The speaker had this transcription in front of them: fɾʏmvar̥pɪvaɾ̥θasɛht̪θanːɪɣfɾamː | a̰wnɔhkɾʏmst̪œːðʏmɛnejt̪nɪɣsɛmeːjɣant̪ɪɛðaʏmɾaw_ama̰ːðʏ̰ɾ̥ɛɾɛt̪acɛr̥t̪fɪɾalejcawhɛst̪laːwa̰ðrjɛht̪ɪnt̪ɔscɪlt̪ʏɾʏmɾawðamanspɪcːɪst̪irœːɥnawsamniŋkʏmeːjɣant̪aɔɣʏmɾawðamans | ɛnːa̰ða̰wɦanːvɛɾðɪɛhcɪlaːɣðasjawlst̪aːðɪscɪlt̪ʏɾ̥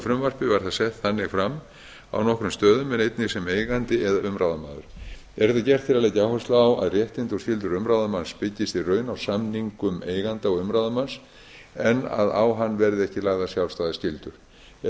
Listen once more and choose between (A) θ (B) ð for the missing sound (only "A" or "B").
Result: B